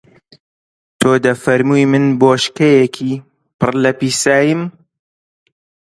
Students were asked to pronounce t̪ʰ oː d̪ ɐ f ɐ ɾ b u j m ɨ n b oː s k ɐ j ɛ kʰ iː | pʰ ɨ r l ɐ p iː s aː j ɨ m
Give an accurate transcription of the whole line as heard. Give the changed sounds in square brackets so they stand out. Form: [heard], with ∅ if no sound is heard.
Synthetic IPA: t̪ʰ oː d̪ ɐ f ɐ ɾ [m] u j m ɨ n b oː [ʃ] k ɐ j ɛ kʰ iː | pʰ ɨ r l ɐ p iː s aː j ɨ m